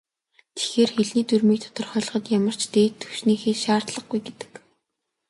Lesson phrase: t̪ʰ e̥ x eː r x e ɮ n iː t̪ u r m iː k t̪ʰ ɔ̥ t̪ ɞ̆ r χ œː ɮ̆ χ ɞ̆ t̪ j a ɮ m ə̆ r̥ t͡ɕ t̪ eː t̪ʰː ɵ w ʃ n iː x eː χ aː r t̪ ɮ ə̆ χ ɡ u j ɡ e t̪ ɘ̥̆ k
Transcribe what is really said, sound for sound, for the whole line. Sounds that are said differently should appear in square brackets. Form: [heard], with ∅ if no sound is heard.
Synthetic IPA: t̪ʰ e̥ x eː r x e ɮ n iː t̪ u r m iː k t̪ʰ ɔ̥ t̪ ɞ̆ r χ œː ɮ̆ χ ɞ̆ t̪ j a [∅] m ə̆ r̥ t͡ɕ t̪ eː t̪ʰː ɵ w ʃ n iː x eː [ʃ] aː r t̪ ɮ ə̆ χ ɡ u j ɡ e t̪ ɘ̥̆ k